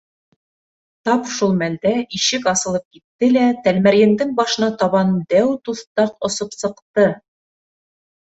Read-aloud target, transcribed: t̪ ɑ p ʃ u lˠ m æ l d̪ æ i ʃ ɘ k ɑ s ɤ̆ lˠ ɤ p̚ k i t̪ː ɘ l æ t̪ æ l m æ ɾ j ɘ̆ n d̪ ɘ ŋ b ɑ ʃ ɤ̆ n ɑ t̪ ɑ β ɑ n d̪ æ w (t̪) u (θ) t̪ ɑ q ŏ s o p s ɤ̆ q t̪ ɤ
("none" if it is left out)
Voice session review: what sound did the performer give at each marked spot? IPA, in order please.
t̪, θ

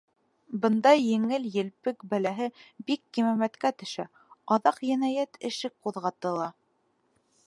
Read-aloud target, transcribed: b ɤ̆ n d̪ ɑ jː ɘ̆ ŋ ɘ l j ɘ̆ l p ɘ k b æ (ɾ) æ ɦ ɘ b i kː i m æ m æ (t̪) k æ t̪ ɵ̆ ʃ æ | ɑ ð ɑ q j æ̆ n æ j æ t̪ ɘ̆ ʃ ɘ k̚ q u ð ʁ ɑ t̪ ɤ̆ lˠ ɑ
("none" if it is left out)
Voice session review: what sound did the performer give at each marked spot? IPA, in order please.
l, t̪

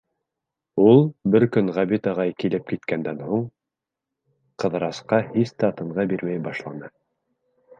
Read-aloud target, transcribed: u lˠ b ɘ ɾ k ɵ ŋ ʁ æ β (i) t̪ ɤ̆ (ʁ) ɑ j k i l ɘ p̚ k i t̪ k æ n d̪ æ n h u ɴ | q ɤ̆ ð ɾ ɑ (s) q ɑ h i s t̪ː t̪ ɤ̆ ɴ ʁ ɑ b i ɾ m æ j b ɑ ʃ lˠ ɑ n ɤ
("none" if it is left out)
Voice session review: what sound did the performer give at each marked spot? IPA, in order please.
i, ʁ, s

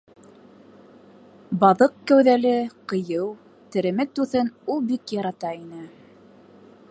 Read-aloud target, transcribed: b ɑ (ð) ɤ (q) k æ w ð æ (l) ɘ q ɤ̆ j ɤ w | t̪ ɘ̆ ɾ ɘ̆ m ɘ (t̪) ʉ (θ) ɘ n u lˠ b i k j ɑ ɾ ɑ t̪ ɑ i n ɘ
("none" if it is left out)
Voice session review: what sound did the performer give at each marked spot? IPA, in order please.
ð, q, l, t̪, θ

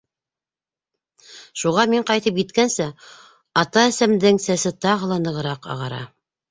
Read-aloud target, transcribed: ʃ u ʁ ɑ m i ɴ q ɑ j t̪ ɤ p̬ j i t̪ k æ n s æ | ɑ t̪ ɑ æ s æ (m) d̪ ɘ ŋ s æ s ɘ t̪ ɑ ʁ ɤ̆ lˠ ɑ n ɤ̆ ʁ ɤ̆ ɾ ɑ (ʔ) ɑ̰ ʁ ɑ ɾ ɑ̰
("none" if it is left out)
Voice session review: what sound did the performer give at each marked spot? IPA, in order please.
m, q

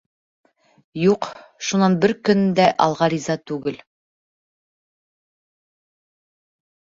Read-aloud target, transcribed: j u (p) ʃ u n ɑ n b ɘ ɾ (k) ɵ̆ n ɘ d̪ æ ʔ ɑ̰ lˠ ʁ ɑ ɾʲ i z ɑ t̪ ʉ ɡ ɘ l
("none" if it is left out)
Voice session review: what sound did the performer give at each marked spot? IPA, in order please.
q, k

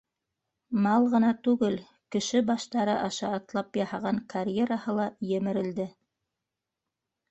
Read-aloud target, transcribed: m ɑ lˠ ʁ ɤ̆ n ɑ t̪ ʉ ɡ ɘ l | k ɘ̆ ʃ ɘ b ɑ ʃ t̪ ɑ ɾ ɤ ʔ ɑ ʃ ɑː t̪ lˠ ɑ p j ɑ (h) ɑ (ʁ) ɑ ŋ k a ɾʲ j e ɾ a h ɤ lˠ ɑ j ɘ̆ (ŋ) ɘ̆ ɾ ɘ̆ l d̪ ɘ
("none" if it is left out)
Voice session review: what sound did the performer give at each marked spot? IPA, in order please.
h, ʁ, m

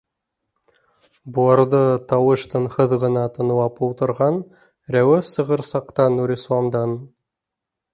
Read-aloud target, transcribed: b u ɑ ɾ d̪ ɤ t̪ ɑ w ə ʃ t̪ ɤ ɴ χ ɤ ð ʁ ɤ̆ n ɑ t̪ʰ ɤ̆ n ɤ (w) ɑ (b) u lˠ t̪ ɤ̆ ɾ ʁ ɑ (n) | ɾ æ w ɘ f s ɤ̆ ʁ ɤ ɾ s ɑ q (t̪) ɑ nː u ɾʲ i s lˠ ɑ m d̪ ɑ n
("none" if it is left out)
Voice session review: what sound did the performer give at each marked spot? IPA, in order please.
w, p, n, t̪

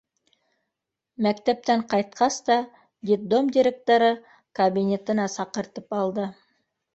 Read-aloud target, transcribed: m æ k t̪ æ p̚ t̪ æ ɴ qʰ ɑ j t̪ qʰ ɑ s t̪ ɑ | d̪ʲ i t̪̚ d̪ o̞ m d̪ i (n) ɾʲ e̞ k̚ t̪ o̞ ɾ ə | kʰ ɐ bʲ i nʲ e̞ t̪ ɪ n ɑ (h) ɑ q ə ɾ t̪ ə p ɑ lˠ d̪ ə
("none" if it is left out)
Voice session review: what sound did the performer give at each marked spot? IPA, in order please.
none, s

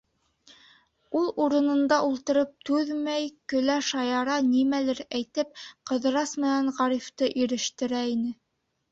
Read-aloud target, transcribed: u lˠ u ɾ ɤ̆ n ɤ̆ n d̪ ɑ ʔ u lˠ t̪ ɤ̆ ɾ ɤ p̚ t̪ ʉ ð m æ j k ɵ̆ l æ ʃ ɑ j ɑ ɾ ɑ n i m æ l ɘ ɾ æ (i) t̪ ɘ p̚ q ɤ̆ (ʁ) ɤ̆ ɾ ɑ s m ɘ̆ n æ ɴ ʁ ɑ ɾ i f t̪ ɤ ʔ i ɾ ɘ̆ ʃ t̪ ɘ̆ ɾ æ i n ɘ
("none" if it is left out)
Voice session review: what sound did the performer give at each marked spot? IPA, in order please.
j, ð

